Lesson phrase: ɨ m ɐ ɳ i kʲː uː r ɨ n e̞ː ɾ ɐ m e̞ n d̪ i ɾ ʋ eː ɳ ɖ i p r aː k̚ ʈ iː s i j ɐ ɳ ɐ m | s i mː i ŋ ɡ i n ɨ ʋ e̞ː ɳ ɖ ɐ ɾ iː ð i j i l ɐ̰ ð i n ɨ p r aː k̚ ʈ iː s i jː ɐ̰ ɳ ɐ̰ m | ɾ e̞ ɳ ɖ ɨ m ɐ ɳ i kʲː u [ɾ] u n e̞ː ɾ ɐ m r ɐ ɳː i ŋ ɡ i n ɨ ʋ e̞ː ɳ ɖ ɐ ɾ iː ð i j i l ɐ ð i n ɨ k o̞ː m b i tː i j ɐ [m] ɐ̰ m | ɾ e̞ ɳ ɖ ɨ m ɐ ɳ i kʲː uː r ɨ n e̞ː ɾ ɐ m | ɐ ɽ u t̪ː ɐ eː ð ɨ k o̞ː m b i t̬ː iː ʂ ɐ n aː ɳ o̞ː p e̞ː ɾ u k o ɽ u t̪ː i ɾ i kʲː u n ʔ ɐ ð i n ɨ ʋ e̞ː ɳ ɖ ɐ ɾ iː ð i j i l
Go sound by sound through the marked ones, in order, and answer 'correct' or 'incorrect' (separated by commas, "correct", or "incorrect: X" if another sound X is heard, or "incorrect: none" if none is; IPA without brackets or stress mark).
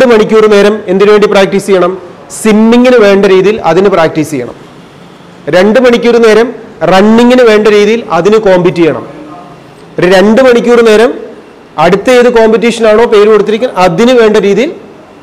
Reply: correct, incorrect: ɳ